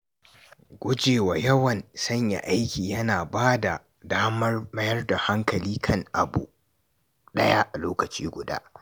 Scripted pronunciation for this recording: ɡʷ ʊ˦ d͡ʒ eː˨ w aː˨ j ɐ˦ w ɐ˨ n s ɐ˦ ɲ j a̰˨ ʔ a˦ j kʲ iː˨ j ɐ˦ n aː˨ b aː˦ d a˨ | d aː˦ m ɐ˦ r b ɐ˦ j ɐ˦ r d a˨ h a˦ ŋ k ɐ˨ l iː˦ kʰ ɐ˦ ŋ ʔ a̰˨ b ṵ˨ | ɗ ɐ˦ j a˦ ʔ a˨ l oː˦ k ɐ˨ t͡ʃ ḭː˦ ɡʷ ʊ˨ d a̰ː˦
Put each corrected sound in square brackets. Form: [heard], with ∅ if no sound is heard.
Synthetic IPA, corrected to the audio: ɡʷ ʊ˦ d͡ʒ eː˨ w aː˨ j ɐ˦ w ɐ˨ n s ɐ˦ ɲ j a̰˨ ʔ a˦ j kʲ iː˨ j ɐ˦ n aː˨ b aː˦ d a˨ | d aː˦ m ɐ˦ r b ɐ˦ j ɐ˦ r d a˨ h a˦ ŋ k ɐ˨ l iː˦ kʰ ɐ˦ ŋ ʔ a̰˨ b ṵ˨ | ɗ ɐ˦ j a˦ ʔ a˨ l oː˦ k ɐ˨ t͡ʃ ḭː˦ ɡʷ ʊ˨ d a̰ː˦